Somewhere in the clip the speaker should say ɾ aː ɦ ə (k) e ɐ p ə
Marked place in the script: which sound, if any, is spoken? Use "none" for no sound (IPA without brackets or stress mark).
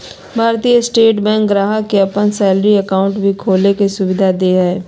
k